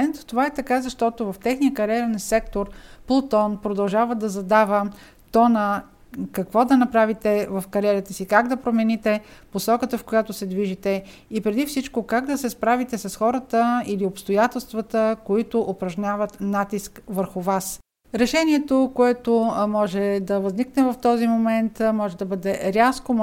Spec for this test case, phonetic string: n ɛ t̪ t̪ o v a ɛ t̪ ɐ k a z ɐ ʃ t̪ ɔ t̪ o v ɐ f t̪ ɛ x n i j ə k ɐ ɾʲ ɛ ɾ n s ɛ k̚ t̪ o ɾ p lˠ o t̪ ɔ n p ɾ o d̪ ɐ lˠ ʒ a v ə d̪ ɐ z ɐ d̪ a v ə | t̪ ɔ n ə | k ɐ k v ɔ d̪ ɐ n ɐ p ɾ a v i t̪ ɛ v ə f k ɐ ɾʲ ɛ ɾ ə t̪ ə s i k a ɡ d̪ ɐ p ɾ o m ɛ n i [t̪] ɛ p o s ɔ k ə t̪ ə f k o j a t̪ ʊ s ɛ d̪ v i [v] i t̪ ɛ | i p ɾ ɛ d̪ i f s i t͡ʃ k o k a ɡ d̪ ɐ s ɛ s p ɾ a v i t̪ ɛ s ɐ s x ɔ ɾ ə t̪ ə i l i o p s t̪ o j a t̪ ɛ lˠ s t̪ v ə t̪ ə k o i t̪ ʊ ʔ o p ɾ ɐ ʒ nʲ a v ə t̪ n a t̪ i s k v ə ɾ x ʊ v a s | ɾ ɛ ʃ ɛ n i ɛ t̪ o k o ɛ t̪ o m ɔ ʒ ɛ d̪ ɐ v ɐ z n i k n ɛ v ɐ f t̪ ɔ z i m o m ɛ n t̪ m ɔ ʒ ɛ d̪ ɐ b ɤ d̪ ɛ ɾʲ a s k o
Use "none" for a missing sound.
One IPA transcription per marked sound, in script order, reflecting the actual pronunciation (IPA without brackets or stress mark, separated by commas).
t̪, ʒ